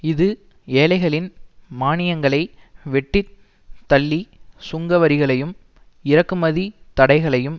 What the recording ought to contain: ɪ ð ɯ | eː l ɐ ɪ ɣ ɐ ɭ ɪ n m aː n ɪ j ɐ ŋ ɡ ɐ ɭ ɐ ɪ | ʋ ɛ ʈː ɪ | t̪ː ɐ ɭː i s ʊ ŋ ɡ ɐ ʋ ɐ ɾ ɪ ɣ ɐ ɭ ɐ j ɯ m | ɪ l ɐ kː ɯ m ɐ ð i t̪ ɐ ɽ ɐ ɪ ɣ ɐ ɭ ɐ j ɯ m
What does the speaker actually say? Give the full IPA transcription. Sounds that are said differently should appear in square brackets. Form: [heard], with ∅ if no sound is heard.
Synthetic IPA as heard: ɪ ð ɯ | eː l ɐ ɪ ɣ ɐ ɭ ɪ n m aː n ɪ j ɐ ŋ ɡ ɐ ɭ ɐ ɪ | ʋ ɛ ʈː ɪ | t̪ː ɐ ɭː i s ʊ ŋ ɡ ɐ ʋ ɐ ɾ ɪ ɣ ɐ ɭ ɐ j ɯ m | ɪ [ɾ] ɐ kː ɯ m ɐ ð i t̪ ɐ ɽ ɐ ɪ ɣ ɐ ɭ ɐ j ɯ m